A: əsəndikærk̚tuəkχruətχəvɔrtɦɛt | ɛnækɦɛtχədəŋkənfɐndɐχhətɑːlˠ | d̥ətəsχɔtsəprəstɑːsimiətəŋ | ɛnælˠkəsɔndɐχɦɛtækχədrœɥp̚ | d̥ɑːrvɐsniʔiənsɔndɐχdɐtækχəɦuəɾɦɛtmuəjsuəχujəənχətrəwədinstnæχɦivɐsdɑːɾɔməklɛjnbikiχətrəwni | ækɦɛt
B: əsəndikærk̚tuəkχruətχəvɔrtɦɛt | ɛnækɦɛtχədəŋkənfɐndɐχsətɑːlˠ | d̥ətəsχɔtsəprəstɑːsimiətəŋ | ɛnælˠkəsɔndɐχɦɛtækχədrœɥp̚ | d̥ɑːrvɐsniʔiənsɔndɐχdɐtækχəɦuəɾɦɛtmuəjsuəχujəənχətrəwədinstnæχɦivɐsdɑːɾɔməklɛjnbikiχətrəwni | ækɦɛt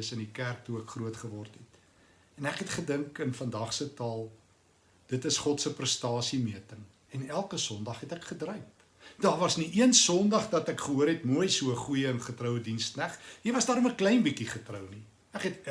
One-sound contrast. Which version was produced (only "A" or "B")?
B